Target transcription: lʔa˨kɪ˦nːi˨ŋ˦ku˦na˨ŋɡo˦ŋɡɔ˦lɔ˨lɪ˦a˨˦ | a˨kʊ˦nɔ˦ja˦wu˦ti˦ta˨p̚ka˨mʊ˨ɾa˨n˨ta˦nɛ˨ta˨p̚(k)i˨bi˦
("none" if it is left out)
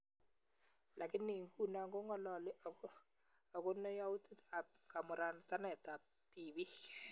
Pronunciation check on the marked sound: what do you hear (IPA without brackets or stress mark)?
t